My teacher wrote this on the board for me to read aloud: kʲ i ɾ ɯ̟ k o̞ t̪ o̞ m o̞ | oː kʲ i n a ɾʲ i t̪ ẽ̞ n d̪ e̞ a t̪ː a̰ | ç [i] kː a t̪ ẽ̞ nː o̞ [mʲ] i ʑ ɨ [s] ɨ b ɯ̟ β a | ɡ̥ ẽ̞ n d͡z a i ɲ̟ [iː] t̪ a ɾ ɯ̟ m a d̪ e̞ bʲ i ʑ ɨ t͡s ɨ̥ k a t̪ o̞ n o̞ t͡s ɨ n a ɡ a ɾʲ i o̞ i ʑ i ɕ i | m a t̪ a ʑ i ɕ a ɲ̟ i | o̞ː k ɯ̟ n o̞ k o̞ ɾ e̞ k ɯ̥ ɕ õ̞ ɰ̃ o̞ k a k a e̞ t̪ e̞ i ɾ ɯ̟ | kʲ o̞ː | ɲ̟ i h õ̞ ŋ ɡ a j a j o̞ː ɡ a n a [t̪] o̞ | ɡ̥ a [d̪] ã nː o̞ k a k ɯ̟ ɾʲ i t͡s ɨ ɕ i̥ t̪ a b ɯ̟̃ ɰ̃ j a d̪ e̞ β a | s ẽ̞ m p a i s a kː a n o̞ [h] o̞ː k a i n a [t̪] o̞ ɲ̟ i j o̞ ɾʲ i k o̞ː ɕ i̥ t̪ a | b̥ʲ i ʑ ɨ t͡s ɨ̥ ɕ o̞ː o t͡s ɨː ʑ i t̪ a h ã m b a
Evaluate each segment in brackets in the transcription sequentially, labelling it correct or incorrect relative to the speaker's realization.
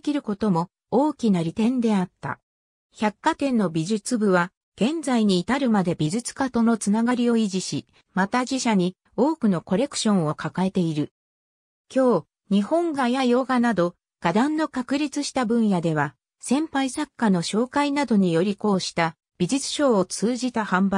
incorrect: a, incorrect: bʲ, incorrect: t͡s, correct, incorrect: d̪, correct, incorrect: ɕ, incorrect: d̪

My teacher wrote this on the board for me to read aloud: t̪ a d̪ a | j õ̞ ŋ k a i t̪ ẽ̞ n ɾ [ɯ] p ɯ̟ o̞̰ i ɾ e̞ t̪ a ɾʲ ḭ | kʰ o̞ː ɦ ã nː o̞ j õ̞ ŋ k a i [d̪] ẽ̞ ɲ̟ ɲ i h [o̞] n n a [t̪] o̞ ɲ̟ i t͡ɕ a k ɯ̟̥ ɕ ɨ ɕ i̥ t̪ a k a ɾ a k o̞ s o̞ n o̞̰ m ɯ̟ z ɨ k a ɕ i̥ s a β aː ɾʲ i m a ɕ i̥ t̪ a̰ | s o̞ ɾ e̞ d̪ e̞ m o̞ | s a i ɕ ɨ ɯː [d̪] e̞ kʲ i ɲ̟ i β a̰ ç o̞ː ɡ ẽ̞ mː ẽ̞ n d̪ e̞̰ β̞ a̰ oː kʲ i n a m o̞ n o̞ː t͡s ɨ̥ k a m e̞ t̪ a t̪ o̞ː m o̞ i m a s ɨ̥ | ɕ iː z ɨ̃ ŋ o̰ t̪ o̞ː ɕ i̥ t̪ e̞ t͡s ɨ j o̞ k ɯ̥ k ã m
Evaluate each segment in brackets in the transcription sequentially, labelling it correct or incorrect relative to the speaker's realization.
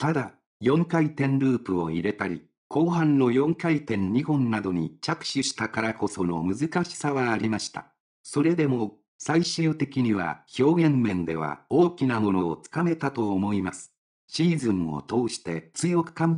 incorrect: ɯː, incorrect: t̪, incorrect: õ̞, incorrect: d̪, incorrect: t̪

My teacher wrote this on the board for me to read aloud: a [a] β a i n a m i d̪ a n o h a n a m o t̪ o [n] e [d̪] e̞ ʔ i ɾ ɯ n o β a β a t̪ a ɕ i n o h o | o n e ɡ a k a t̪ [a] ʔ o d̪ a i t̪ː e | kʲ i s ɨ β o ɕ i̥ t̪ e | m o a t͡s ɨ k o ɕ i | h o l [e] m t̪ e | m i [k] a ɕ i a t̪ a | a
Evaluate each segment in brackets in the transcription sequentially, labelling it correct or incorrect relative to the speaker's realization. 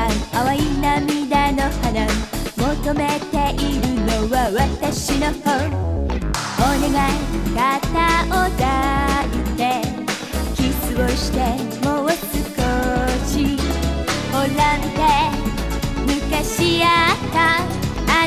correct, incorrect: m, incorrect: t̪, correct, incorrect: a, correct

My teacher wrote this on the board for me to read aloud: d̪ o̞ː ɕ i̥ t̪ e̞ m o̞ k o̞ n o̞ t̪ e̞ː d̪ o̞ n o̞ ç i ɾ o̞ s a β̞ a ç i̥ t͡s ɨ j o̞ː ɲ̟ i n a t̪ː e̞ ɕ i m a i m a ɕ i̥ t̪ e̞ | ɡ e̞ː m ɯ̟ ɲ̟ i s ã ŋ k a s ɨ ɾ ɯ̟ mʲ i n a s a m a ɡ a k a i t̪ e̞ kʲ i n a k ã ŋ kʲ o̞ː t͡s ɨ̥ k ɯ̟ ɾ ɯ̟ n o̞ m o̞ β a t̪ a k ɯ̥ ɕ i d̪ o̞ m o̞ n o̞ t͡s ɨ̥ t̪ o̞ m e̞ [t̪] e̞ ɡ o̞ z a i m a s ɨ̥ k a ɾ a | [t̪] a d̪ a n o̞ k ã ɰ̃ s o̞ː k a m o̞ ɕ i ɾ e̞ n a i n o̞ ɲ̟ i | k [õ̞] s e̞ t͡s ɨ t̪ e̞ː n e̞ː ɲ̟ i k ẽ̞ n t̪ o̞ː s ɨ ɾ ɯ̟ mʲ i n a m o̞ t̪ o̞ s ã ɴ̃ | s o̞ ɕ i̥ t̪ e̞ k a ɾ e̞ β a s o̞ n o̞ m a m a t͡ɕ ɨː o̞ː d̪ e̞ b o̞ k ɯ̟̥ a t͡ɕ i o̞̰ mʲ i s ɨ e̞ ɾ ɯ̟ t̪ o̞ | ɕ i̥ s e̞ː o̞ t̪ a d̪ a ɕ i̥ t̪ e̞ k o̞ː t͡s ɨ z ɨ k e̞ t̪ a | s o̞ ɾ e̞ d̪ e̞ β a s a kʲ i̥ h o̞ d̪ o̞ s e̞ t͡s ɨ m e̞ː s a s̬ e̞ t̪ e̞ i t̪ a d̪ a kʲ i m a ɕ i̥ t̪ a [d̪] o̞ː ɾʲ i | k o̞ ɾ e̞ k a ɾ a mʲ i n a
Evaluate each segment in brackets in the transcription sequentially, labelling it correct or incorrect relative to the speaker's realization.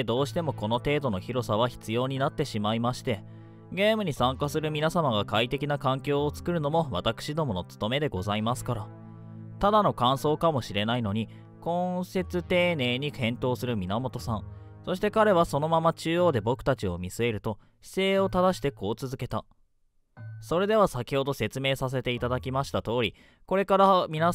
incorrect: d̪, correct, correct, incorrect: t̪

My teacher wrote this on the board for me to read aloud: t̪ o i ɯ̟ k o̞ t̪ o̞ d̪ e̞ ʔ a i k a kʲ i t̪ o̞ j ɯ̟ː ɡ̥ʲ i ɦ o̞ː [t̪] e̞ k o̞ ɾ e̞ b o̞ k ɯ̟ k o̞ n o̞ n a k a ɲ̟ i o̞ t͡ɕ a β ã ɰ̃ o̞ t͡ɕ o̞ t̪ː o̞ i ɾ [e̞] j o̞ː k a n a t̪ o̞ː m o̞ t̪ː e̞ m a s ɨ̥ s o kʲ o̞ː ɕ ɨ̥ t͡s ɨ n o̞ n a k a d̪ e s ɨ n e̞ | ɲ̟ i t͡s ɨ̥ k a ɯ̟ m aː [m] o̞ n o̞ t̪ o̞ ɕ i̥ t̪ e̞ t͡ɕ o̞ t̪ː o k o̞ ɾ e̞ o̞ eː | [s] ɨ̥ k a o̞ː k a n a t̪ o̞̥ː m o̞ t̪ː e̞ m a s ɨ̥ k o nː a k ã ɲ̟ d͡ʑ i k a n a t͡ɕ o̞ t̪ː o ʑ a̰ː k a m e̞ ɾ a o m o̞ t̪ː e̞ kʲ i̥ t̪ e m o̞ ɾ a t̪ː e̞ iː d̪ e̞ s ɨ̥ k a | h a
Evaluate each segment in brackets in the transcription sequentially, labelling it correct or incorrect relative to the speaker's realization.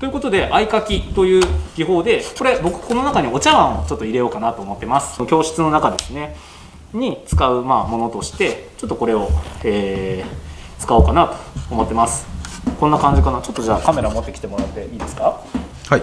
incorrect: d̪, correct, correct, incorrect: t͡s

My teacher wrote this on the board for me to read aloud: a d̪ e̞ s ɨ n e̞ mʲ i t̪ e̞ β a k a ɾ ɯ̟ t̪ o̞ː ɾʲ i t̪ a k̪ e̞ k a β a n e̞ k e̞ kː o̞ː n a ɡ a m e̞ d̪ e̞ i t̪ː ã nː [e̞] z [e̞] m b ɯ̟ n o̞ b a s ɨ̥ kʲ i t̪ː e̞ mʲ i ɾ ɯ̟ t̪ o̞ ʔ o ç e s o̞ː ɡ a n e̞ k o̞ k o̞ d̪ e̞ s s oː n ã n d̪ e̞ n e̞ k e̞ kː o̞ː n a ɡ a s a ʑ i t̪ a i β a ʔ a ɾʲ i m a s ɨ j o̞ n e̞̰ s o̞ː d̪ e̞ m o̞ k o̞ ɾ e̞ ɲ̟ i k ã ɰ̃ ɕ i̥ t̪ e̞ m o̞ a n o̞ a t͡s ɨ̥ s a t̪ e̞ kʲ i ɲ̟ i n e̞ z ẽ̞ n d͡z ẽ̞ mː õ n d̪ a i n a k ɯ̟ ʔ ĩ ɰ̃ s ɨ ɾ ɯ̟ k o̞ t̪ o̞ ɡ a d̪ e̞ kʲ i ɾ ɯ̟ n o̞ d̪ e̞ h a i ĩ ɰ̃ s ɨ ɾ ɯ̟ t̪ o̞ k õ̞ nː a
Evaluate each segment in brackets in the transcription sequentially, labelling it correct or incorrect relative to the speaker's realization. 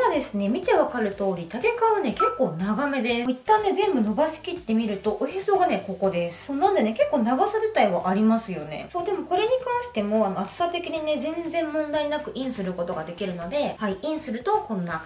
correct, incorrect: ẽ̞

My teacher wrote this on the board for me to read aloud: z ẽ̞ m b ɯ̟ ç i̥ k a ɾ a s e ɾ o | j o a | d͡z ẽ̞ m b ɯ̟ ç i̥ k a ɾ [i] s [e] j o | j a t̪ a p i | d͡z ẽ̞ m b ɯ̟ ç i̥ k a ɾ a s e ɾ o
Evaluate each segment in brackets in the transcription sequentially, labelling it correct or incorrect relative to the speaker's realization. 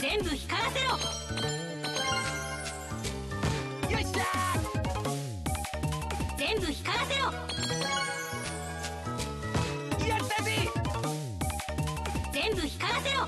incorrect: a, correct

